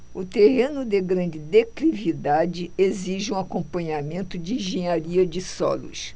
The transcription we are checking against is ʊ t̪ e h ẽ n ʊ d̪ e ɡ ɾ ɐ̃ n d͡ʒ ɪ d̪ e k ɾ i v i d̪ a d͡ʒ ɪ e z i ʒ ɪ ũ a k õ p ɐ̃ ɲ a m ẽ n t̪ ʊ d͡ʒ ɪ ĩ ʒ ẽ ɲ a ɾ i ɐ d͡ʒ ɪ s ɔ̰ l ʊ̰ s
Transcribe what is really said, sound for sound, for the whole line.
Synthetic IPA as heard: ʊ t̪ e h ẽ n ʊ d̪ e ɡ ɾ ɐ̃ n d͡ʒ ɪ d̪ e k l i v i d̪ a d͡ʒ ɪ e z i ʒ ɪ ũ a k õ p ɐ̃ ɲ a m ẽ n t̪ ʊ d͡ʒ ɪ ĩ ʒ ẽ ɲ a ɾ i ɐ d͡ʒ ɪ s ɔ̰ l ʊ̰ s